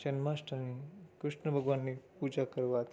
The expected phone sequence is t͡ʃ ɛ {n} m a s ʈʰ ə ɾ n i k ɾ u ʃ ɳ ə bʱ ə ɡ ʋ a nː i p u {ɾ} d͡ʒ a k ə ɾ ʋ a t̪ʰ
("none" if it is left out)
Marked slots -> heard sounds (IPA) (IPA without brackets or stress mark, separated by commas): n, none